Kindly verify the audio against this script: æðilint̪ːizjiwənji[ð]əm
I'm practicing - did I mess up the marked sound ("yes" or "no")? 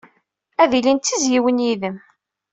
no